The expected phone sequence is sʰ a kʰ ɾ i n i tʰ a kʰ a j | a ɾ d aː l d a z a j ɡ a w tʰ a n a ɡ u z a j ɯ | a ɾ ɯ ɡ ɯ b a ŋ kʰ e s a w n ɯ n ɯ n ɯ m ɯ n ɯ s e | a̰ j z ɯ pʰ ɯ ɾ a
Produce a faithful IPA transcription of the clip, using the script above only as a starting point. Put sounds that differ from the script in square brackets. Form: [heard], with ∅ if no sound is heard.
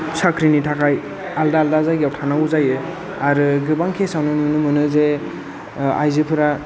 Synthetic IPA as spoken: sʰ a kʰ ɾ i n i tʰ a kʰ a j | a [l] d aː l d a z a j ɡ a w tʰ a n a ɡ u z a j ɯ | a ɾ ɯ ɡ ɯ b a ŋ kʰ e s a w n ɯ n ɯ n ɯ m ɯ n ɯ [z] e | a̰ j z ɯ pʰ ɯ ɾ a

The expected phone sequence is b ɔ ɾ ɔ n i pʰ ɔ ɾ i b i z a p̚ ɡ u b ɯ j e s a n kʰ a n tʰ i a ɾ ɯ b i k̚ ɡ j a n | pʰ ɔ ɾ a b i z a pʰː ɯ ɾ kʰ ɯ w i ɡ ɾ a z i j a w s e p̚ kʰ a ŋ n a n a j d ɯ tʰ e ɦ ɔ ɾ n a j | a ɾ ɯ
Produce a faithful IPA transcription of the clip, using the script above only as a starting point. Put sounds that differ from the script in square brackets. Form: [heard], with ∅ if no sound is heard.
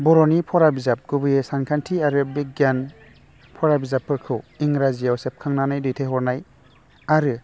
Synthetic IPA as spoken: b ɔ ɾ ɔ n i pʰ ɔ ɾ [a] b i z a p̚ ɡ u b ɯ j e s a n kʰ a n tʰ i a ɾ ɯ b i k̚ ɡ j a n | pʰ ɔ ɾ a b i z a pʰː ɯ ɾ kʰ ɯ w i [ŋ] ɾ a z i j a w s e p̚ kʰ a ŋ n a n a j d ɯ tʰ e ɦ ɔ ɾ n a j | a ɾ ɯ

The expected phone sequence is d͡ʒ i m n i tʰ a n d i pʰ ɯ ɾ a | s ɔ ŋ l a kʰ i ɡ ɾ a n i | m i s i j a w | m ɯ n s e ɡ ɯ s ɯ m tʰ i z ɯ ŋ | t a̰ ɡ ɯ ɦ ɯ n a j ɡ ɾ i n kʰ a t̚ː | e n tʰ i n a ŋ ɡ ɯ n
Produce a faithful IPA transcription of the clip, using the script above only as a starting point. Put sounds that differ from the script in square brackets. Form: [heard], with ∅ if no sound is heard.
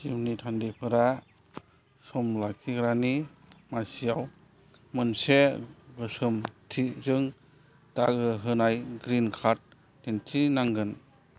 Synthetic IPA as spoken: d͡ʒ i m n i tʰ a n d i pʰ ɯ ɾ a | s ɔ [m] l a kʰ i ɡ ɾ a n i | m [a] s i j a w | m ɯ n s e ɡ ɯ s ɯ m tʰ i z ɯ ŋ | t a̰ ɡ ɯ ɦ ɯ n a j ɡ ɾ i n kʰ a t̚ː | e n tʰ i n a ŋ ɡ ɯ n

